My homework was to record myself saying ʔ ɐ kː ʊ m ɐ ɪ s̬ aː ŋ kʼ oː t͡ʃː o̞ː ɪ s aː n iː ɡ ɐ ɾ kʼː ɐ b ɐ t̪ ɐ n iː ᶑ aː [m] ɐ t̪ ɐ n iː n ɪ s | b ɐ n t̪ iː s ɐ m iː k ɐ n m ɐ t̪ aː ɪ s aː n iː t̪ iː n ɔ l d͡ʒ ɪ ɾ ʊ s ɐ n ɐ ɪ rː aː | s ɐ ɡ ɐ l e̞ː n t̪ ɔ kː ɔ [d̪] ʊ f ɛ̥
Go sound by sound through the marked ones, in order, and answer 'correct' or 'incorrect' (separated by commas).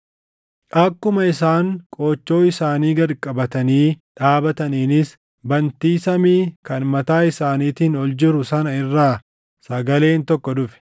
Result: incorrect, correct